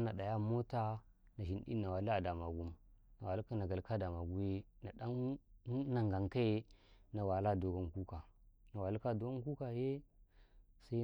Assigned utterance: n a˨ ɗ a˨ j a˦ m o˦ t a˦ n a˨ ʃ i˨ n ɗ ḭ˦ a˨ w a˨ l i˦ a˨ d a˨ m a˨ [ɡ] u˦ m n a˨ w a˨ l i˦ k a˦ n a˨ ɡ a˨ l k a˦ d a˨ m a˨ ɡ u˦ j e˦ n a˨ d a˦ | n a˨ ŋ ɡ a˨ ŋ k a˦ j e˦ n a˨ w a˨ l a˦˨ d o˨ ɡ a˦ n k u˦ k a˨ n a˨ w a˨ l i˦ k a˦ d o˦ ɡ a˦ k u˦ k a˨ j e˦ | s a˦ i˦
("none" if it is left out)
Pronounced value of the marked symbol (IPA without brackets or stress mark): ɡ